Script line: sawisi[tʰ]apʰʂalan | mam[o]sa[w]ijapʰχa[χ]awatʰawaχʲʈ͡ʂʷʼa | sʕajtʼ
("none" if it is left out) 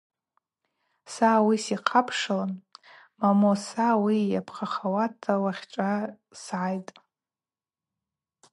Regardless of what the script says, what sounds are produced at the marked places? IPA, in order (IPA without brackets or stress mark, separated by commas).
qʰ, o, w, χ